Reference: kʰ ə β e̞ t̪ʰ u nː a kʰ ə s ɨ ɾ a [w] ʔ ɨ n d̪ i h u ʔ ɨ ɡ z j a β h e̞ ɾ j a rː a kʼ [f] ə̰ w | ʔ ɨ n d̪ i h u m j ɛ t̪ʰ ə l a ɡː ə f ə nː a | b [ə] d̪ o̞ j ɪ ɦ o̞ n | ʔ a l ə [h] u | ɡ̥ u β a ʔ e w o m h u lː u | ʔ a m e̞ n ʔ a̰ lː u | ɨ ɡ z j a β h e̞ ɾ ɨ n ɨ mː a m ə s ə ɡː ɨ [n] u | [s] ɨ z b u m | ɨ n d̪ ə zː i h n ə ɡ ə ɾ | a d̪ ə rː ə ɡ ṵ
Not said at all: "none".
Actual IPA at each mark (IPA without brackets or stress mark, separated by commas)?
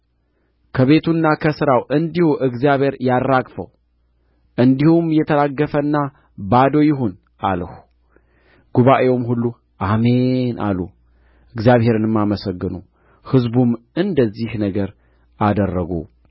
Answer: w, f, a, h, n, h